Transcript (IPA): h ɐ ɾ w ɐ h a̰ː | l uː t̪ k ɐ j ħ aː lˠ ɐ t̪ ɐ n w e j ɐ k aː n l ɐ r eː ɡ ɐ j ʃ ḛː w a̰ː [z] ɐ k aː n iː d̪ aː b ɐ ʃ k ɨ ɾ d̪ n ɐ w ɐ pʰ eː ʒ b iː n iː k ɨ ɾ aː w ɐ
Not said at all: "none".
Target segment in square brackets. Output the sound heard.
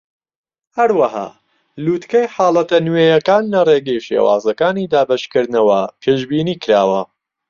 z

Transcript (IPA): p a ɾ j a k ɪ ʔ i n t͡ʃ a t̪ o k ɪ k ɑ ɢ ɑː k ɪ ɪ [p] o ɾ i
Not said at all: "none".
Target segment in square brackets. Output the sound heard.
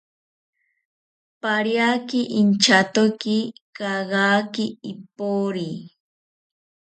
p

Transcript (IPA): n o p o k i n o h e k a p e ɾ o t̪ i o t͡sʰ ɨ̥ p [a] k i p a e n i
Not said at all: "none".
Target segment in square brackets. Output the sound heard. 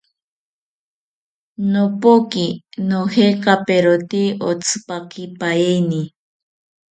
a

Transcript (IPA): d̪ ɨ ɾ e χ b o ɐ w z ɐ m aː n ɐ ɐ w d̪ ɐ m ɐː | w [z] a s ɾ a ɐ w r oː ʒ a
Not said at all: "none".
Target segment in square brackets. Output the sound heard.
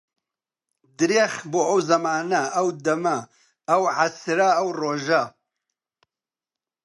ʕ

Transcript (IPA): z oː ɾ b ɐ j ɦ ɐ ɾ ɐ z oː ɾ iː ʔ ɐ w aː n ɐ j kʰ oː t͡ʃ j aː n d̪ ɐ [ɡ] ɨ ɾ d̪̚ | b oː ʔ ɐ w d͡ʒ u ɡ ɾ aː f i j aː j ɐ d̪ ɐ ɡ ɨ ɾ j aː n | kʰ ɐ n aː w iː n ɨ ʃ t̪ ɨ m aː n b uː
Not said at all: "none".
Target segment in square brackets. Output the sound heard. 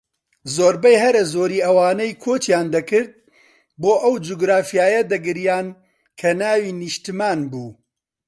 k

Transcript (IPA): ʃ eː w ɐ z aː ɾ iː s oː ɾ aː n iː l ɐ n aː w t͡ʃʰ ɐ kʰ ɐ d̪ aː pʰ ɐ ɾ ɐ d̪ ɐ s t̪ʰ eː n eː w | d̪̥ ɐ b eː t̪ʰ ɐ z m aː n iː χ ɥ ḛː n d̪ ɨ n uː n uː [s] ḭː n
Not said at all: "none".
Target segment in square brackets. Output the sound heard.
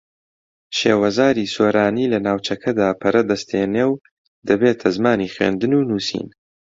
s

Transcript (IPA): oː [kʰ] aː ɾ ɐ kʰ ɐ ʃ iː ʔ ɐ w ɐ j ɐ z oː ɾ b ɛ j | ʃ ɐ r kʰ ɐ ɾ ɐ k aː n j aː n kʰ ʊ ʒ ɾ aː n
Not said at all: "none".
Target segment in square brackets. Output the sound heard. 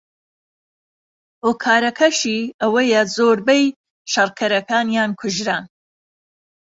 kʰ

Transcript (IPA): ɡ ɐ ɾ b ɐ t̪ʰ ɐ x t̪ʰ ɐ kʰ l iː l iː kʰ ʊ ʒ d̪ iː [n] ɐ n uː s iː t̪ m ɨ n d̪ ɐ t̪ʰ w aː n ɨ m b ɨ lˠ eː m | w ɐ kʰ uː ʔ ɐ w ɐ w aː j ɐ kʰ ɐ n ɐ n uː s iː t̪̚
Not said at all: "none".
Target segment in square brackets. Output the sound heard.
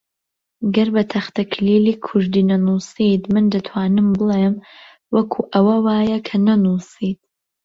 n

